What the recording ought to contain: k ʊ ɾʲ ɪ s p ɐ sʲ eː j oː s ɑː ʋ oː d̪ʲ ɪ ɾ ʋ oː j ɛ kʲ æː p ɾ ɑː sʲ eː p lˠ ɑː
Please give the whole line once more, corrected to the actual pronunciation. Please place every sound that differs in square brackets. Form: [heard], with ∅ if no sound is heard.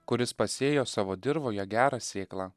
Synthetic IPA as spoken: k ʊ ɾʲ ɪ s p ɐ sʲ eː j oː s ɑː ʋ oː d̪ʲ ɪ ɾ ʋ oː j ɛ [ɡʲ] æː [∅] ɾ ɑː sʲ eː [k] lˠ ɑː